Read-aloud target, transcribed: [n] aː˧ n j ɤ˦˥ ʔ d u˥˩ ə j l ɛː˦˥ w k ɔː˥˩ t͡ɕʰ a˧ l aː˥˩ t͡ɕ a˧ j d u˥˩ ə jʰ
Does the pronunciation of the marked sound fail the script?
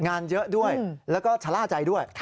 yes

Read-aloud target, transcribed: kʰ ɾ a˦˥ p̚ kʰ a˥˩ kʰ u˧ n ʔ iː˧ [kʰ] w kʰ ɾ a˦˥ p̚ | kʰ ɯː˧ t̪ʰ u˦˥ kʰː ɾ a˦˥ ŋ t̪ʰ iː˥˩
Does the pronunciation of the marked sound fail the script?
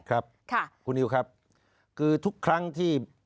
yes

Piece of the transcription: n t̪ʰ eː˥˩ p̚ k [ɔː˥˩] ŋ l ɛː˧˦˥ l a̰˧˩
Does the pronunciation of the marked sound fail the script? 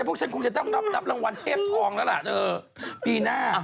yes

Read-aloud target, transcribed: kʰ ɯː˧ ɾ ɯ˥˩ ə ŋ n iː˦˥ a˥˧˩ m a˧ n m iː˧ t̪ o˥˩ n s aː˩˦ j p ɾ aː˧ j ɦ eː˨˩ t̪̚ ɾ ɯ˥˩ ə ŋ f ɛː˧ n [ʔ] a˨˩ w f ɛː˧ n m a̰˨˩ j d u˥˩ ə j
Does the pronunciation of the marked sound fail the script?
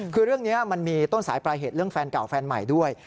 yes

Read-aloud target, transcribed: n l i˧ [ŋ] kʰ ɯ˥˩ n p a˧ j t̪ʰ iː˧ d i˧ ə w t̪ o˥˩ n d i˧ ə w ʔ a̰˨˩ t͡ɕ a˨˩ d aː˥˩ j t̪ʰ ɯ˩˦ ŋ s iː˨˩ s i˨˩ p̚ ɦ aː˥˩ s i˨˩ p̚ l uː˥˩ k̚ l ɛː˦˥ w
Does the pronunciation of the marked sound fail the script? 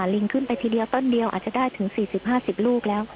no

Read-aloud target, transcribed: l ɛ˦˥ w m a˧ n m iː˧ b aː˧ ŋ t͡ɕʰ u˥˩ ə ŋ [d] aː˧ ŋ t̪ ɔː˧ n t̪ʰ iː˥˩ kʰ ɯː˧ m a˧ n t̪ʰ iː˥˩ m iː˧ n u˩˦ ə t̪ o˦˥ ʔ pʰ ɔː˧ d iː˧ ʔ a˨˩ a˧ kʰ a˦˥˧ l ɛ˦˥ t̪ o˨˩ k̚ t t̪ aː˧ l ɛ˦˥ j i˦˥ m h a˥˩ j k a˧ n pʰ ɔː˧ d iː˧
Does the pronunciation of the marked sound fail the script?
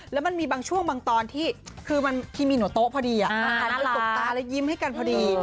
yes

